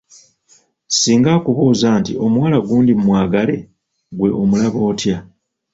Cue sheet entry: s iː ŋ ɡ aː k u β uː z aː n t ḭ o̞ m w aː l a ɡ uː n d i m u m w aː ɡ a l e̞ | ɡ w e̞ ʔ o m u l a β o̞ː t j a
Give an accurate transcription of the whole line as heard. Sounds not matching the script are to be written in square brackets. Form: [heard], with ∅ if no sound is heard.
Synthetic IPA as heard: s iː ŋ ɡ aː k u β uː z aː n t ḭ o̞ m w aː l a ɡ uː n d i m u m w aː ɡ a l e̞ | ɡ w e̞ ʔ o m u l a β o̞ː t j a